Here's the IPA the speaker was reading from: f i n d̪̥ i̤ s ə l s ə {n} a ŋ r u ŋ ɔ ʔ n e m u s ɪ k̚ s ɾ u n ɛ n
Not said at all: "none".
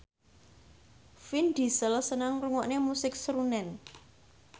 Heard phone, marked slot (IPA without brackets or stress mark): n